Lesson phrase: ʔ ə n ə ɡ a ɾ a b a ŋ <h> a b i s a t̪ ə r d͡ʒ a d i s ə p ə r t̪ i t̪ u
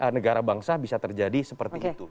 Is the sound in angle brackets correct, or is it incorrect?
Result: incorrect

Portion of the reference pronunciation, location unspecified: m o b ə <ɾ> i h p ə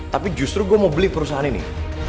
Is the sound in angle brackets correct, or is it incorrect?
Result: incorrect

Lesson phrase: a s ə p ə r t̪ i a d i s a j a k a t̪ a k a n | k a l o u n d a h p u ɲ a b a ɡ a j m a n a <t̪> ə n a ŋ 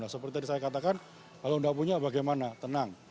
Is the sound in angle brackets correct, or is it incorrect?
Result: correct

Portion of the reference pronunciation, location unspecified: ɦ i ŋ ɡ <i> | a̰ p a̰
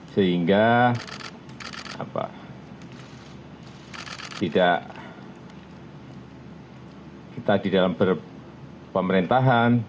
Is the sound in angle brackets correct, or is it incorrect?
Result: incorrect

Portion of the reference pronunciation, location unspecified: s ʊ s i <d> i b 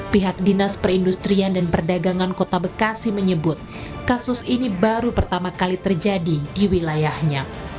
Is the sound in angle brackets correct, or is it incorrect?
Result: incorrect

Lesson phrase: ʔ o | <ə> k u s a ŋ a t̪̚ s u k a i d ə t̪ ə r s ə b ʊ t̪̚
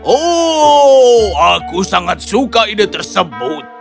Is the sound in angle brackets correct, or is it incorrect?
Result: incorrect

